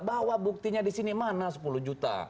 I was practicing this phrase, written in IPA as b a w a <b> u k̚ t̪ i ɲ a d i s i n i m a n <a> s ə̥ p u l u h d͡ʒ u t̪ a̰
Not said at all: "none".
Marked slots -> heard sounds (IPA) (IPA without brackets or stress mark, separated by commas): b, a